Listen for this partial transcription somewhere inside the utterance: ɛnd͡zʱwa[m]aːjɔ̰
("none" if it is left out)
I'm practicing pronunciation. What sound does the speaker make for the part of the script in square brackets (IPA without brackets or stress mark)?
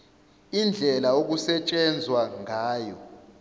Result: ŋ